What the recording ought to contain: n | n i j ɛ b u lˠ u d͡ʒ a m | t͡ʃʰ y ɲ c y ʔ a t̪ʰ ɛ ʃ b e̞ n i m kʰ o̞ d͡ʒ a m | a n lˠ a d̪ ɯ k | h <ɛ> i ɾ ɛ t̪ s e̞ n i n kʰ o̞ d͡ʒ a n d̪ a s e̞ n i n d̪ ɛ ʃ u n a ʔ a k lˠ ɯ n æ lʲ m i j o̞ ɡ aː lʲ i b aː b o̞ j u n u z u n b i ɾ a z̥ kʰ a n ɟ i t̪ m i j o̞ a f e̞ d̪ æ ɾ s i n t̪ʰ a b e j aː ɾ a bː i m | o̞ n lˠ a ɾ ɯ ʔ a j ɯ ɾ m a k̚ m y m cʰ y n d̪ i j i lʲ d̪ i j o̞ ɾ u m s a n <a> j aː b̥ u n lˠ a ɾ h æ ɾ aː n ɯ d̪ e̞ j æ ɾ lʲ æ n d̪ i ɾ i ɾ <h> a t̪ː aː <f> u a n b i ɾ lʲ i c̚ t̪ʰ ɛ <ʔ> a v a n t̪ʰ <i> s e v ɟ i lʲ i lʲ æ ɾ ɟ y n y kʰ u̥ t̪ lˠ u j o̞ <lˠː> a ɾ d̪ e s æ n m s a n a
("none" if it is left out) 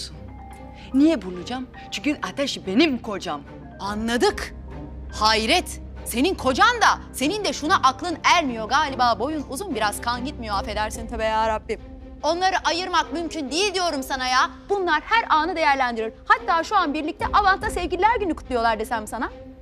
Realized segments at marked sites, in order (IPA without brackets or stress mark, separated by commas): a, a, h, ʃ, ʔ, a, lˠ